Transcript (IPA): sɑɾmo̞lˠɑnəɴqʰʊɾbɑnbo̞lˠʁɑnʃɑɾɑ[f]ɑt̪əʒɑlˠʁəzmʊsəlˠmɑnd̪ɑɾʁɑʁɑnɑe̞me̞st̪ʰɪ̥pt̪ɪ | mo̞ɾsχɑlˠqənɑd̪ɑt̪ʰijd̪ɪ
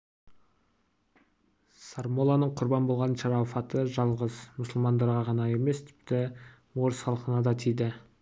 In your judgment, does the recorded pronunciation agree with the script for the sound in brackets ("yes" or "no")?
yes